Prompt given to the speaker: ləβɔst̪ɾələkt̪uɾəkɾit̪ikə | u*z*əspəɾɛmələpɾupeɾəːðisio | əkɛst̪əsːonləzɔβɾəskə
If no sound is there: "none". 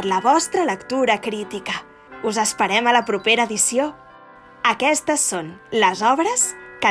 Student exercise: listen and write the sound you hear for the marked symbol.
z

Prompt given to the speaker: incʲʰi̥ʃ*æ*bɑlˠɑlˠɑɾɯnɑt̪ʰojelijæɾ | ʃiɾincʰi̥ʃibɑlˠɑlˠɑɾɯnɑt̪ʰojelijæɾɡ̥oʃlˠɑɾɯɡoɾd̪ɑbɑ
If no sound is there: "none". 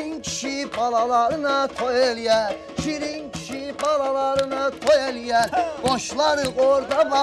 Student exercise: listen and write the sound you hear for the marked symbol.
i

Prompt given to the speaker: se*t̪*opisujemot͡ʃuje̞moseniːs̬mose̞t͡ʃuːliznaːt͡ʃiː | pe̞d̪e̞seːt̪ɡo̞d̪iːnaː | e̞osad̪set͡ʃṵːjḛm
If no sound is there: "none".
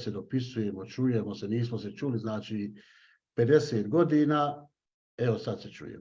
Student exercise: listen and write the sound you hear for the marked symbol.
d̪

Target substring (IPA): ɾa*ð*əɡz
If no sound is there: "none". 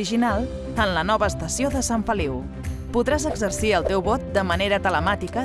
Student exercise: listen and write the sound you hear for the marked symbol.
z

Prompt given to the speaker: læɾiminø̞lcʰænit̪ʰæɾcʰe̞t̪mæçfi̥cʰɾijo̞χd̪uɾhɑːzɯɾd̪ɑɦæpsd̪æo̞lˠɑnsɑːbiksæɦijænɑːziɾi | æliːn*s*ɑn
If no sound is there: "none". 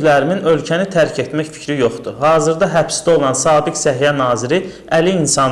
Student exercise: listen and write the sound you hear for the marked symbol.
s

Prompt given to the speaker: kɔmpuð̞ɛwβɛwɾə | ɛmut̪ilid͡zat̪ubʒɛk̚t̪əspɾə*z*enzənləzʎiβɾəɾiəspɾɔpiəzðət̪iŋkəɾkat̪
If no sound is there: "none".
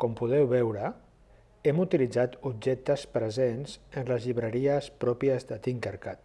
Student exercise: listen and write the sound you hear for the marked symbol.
z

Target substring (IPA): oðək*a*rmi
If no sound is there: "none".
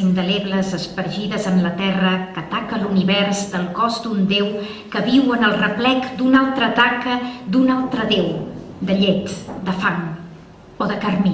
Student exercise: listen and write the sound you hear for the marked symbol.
ə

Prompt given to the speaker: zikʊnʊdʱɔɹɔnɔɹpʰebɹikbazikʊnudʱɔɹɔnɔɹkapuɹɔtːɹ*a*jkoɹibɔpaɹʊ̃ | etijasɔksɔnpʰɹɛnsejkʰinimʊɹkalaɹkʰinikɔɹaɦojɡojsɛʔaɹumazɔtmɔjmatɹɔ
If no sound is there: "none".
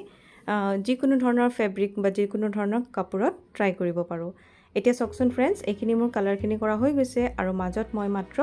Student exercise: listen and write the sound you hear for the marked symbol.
a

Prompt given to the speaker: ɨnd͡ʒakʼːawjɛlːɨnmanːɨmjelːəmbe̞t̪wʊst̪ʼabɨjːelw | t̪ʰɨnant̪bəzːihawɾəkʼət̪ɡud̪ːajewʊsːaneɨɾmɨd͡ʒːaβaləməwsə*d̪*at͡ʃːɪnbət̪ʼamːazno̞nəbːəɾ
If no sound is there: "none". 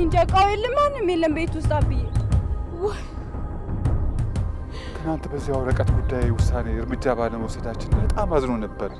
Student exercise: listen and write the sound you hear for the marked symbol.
d̪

